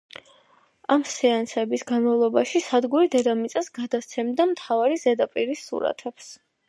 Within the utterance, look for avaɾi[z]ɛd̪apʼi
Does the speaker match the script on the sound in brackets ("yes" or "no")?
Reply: yes